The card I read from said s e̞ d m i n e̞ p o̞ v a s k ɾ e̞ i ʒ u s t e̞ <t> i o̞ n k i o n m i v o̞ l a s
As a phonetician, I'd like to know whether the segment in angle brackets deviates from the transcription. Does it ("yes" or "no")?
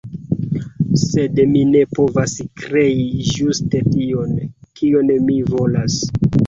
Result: no